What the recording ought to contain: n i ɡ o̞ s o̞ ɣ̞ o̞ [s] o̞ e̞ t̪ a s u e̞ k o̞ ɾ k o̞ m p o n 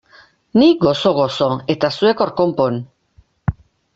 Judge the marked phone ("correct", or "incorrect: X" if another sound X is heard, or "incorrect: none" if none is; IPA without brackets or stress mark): correct